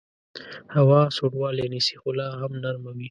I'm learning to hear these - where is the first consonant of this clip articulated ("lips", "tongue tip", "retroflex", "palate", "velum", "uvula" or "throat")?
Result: throat